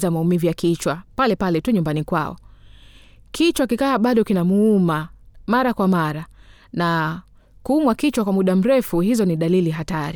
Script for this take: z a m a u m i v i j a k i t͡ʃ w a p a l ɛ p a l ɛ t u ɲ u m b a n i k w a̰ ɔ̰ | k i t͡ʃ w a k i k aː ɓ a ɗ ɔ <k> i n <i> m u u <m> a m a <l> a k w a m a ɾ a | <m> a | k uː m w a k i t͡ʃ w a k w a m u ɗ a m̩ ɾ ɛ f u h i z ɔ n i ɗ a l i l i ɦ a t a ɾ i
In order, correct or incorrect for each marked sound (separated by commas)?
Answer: correct, incorrect, correct, incorrect, incorrect